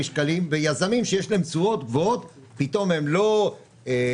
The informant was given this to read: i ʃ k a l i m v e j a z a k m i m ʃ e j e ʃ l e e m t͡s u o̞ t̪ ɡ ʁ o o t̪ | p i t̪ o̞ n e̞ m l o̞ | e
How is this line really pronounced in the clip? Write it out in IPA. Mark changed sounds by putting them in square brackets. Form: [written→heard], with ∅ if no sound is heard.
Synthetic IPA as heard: i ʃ k a l i m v e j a z a [k→∅] m i m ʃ e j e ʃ l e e m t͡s u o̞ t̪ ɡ [ʁ→v] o o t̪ | p i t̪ o̞ [n→m] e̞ m l o̞ | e